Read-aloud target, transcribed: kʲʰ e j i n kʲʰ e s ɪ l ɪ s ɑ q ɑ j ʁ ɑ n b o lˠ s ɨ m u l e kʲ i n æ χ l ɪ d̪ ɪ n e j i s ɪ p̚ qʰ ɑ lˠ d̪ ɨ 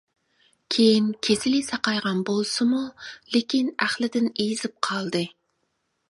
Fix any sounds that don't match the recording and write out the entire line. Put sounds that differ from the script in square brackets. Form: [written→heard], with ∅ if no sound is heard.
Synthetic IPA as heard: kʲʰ e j i n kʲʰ e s ɪ l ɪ s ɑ q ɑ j ʁ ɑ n b o lˠ s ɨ m u l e kʲ i n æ χ l ɪ d̪ ɪ n e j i [s→z] ɪ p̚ qʰ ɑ lˠ d̪ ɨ